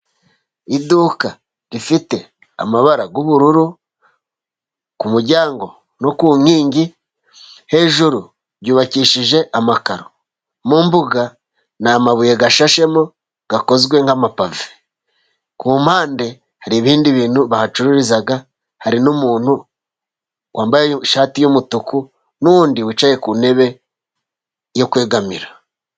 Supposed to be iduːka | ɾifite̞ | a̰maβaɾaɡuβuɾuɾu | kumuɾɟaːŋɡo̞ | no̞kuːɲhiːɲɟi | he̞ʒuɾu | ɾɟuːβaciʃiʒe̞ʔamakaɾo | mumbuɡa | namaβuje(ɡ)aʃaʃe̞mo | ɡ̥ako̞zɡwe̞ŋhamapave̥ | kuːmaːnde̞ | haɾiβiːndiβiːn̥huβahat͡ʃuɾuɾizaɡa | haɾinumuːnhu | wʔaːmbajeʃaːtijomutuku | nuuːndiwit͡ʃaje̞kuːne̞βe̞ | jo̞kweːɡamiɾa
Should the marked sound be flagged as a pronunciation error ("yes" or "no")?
no